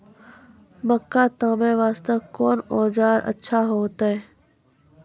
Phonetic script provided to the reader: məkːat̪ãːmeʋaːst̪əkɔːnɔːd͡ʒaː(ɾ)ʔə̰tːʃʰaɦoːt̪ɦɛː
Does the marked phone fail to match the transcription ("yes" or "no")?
no